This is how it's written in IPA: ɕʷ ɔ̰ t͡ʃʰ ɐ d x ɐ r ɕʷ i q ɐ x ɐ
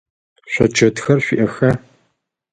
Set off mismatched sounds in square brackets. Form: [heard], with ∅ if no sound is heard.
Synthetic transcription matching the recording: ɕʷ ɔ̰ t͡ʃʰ ɐ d x ɐ r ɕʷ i [ʔ] ɐ x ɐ